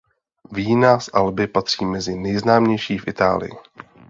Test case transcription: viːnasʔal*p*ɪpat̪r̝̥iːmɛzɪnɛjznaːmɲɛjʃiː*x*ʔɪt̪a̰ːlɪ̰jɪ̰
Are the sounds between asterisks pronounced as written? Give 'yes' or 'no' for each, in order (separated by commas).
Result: no, no